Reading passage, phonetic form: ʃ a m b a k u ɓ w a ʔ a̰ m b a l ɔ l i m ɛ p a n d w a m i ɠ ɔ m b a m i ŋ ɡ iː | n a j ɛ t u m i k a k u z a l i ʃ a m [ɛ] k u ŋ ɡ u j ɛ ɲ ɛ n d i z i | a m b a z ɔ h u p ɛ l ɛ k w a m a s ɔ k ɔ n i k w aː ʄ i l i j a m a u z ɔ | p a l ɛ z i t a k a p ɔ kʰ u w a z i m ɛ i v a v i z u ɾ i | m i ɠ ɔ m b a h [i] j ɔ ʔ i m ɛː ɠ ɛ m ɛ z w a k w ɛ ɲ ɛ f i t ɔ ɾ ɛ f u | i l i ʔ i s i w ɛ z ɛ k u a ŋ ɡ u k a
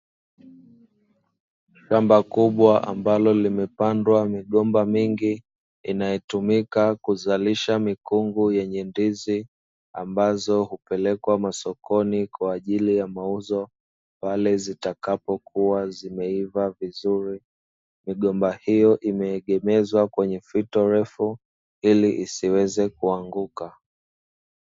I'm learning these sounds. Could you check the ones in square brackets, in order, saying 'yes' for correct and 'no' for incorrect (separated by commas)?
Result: no, yes